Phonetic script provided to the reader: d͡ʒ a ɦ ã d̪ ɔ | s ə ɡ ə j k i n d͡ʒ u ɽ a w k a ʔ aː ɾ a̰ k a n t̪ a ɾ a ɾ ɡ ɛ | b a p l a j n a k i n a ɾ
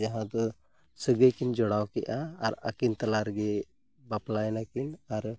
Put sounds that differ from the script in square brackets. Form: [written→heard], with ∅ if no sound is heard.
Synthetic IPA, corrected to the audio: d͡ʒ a ɦ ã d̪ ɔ | s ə ɡ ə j k i n d͡ʒ [u→ɔ] ɽ a w k [a→ɛ] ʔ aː ɾ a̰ k [a→i] n t̪ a [ɾ→l] a ɾ ɡ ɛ | b a p l a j n a k i n a ɾ